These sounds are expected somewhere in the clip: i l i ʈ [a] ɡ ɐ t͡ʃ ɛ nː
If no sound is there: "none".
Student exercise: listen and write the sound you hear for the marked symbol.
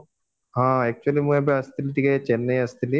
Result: i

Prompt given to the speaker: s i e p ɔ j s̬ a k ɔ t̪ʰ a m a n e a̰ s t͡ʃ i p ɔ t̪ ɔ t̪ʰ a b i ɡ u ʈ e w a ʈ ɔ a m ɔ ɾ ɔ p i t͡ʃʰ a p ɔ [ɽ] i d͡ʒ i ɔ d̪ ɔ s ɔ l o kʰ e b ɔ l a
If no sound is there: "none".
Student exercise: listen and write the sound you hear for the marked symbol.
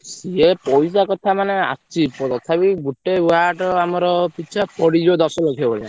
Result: ɽ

